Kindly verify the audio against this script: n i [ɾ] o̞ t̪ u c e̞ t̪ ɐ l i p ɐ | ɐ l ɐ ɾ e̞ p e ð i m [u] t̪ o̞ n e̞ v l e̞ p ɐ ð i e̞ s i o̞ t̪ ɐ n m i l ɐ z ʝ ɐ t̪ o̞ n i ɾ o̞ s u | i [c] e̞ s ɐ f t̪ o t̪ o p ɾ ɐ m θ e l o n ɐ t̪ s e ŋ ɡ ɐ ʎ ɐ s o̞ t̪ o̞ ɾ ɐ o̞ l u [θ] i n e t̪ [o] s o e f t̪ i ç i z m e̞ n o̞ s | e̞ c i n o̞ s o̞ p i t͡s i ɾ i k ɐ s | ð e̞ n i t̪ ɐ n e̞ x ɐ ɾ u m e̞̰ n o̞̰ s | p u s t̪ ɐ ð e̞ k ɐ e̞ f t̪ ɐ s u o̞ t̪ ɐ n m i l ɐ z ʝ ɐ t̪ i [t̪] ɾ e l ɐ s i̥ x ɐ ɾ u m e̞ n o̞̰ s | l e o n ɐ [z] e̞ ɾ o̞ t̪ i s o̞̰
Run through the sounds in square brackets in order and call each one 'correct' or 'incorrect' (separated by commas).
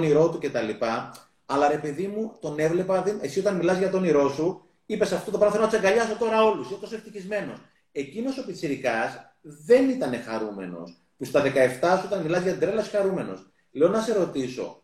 correct, correct, incorrect, incorrect, correct, incorrect, incorrect